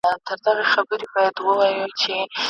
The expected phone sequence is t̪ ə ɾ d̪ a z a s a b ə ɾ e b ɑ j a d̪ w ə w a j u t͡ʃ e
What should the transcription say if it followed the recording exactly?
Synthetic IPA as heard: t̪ ə ɾ d̪ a ɣ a x a b ə ɾ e b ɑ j a d̪ w ə w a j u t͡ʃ e